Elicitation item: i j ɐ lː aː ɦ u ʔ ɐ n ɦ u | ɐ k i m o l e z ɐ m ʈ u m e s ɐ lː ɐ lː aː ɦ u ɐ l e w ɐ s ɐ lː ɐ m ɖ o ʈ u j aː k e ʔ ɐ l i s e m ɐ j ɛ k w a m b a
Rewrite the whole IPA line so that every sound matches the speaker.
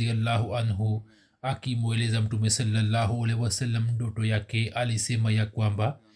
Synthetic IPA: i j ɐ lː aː ɦ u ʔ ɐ n ɦ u | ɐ k i m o l e z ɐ m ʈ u m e s ɐ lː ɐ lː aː ɦ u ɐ l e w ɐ s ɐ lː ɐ m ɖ o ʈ o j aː k e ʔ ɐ l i s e m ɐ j a k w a m b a